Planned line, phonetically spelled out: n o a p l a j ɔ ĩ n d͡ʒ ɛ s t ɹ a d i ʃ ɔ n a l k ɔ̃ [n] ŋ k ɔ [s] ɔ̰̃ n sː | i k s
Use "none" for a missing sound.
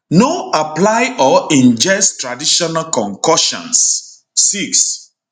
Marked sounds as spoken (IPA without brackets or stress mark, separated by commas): none, ʃ